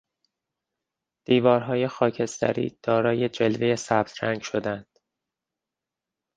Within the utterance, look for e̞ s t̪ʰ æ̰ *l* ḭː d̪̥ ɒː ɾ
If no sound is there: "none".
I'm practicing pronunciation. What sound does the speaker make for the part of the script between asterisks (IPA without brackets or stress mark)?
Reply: ɾ